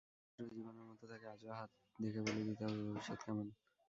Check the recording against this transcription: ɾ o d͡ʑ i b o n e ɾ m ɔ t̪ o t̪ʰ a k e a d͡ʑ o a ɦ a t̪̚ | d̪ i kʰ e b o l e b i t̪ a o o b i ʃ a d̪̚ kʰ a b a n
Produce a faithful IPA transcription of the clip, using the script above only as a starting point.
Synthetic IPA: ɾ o d͡ʑ i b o n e ɾ m ɔ t̪ o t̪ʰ a k e a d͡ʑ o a ɦ a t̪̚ | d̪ e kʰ e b o l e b i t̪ a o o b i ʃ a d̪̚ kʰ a m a n